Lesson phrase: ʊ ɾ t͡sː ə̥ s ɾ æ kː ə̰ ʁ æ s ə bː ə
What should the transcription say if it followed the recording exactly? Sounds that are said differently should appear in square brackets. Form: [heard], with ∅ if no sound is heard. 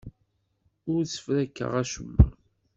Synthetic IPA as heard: ʊ ɾ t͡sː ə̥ [f] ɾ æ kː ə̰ ʁ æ [ʃ] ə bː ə